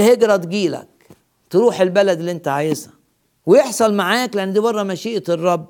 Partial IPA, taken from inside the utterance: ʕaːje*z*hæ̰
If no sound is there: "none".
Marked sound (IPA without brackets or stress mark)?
z